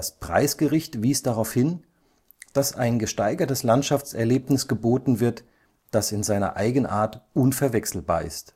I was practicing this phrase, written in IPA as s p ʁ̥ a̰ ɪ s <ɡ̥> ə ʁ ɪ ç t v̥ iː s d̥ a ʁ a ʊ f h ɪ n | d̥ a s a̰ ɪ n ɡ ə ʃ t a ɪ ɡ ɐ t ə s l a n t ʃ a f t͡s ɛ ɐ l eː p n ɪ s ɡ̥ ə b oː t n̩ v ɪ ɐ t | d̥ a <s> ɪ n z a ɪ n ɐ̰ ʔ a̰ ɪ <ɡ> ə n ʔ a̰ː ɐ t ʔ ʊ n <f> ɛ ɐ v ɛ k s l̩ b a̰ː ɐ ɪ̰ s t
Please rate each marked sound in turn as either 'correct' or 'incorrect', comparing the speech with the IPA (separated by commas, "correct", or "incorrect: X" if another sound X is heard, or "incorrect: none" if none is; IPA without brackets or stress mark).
correct, correct, correct, correct